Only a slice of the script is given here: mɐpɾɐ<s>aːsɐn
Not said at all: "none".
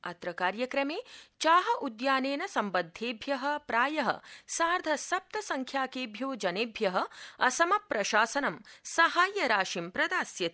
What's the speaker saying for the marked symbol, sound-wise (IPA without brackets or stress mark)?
ʃ